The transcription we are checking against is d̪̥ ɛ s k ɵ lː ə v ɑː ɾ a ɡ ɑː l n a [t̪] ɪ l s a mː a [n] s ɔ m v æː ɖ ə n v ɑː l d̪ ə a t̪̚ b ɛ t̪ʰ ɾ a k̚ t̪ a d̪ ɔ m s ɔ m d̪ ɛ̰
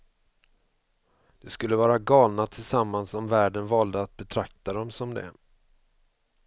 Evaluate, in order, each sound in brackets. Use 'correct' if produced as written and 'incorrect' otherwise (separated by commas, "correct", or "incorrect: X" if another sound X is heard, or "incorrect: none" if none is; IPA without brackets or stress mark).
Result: incorrect: t̪ʰ, correct